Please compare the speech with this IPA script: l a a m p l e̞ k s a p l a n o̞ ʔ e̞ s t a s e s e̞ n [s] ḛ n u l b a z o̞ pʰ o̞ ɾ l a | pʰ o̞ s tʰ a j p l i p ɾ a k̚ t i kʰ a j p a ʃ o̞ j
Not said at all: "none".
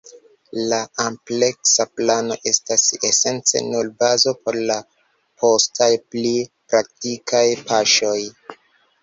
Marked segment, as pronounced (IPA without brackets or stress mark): t͡s